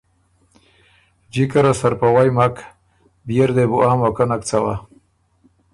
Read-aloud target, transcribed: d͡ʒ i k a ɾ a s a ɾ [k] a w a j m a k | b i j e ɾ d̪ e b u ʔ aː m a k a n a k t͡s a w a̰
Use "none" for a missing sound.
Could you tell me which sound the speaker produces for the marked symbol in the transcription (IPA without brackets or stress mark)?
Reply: p